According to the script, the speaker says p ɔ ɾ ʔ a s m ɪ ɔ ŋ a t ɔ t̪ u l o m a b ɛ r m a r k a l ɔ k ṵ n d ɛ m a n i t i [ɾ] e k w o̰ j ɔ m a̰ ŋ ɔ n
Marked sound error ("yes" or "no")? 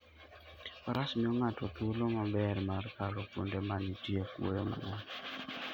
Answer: yes